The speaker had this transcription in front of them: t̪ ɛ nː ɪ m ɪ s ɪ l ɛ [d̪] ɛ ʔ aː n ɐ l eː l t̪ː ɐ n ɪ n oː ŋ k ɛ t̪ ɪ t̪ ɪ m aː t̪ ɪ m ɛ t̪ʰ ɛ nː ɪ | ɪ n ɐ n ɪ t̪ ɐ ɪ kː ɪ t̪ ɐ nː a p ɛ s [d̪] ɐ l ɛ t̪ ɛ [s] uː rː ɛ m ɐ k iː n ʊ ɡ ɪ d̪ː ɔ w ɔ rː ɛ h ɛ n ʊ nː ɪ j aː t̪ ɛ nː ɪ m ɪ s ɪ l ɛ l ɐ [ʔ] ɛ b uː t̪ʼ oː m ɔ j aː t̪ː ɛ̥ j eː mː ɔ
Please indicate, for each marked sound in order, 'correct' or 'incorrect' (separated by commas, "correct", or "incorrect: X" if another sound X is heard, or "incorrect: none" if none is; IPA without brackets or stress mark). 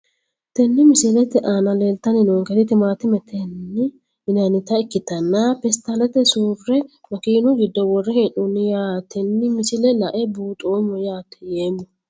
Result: incorrect: t̪, incorrect: t̪, correct, correct